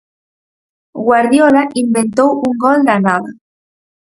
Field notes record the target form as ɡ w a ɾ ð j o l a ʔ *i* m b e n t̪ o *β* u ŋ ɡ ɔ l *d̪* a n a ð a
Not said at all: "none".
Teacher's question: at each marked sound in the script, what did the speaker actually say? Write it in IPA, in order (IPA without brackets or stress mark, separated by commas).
i, w, d̪